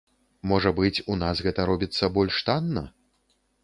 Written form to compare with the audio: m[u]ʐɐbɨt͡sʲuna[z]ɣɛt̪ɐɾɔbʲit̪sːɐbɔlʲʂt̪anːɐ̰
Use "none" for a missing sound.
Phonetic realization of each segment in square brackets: ɔ, s

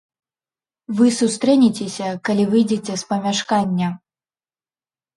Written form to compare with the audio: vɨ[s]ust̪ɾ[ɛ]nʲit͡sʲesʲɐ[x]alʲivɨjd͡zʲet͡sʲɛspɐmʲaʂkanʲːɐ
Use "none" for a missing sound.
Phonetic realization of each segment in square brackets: s, ɛ, k

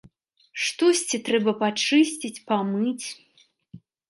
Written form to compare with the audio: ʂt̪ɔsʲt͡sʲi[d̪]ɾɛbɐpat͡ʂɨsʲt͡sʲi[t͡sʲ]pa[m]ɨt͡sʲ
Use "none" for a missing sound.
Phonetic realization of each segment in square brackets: t̪, t͡sʲ, m

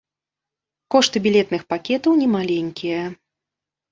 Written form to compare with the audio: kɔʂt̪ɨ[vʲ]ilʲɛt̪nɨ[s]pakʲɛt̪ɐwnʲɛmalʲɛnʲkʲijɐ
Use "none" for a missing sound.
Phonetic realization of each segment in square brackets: bʲ, x

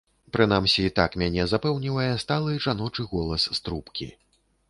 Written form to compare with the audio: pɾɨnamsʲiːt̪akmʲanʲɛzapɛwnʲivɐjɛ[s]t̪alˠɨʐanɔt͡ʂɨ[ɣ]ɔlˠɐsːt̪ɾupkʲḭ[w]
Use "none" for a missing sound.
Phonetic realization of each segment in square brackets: s, ɣ, none

